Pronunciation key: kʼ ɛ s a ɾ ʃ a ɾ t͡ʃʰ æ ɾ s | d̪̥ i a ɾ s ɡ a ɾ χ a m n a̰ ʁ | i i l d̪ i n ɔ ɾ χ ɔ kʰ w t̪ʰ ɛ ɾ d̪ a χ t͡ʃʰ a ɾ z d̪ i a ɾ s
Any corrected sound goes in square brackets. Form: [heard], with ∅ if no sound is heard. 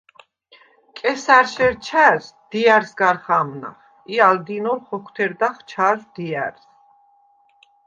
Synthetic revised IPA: kʼ ɛ s a ɾ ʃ [ɛ] ɾ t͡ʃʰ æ ɾ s | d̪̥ i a ɾ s ɡ a ɾ χ a m n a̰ [χ] | i [a] l d̪ i n ɔ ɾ χ ɔ kʰ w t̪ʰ ɛ ɾ d̪ a χ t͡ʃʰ a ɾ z d̪ i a ɾ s